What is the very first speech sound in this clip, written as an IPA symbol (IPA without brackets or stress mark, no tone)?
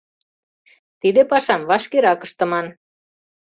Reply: t̪